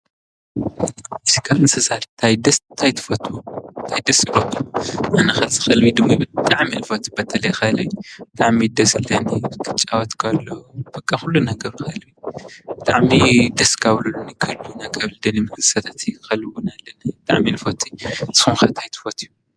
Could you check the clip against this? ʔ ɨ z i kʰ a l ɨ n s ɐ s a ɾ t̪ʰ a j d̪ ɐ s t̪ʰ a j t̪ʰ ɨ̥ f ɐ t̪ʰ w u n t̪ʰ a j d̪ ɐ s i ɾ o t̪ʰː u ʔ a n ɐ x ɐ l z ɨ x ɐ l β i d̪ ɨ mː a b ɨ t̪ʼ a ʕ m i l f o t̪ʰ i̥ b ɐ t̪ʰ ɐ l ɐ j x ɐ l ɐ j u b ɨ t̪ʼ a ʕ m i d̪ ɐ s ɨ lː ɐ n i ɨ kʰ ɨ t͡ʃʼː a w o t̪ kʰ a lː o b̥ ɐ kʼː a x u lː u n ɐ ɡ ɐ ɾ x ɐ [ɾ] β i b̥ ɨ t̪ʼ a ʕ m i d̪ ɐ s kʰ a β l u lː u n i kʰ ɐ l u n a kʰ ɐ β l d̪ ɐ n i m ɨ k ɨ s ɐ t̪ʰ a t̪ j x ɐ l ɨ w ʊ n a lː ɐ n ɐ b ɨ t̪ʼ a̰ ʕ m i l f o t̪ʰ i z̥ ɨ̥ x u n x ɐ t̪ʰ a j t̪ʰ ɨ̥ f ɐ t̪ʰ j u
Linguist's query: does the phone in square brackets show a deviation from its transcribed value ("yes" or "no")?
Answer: yes